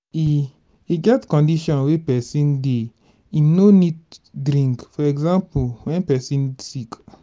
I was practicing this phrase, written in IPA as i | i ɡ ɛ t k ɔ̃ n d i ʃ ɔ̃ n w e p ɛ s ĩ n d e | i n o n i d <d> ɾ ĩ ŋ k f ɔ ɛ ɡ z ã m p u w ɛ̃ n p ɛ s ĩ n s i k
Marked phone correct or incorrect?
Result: correct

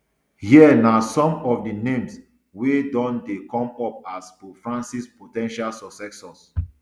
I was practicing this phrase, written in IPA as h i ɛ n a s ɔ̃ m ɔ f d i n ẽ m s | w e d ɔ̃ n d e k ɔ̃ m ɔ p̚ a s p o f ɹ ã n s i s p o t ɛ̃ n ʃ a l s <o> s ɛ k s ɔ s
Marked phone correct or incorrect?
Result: incorrect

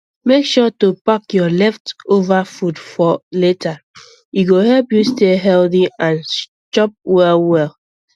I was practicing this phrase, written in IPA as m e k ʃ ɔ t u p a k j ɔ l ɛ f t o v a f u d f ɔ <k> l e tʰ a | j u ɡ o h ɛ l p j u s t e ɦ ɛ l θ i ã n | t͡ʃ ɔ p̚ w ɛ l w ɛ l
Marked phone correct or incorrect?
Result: incorrect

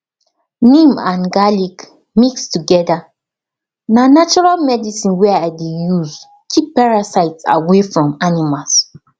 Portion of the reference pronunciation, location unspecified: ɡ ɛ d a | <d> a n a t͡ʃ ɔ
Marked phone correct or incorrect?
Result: incorrect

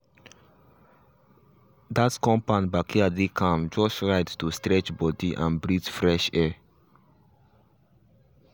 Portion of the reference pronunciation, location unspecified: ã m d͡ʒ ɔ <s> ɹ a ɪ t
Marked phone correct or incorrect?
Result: correct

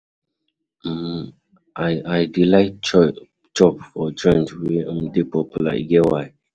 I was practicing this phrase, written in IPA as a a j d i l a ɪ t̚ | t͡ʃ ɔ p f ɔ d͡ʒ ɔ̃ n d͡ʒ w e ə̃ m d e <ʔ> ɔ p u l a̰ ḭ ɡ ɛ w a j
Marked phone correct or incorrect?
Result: incorrect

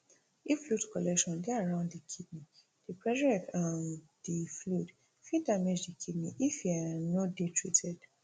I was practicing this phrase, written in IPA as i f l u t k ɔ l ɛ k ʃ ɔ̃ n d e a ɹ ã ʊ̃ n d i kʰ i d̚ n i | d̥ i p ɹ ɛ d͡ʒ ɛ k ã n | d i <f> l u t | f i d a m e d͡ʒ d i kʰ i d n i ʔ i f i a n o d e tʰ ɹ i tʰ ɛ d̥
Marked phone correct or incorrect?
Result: correct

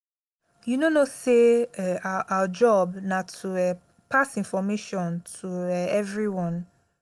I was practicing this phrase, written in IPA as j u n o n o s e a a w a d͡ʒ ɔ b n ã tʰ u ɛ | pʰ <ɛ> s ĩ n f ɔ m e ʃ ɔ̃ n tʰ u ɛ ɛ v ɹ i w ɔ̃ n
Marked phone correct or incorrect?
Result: incorrect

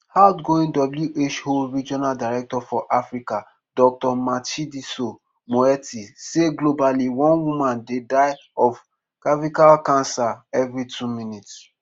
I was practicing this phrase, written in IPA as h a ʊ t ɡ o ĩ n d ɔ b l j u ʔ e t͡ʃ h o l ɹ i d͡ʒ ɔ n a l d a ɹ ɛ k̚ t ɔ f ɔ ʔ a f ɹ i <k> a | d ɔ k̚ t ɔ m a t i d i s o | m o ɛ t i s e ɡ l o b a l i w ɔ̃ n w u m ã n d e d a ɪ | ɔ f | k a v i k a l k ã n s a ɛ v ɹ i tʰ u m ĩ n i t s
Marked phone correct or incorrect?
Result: correct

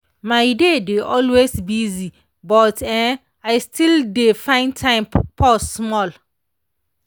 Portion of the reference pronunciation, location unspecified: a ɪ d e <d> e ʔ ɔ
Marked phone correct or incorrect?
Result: correct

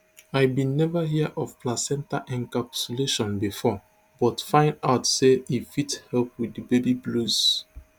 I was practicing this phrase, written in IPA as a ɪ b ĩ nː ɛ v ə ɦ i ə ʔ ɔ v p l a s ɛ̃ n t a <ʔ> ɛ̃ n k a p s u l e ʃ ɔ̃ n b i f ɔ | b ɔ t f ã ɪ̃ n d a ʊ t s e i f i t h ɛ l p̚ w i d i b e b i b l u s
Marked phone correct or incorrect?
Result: correct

